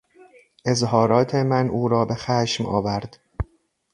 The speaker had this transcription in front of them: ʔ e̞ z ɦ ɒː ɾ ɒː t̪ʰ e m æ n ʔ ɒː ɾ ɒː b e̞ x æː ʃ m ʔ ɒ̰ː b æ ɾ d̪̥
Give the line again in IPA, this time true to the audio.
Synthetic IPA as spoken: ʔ e̞ z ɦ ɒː ɾ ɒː t̪ʰ e m æ n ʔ uː ɾ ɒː b e̞ x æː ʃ m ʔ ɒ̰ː v æ ɾ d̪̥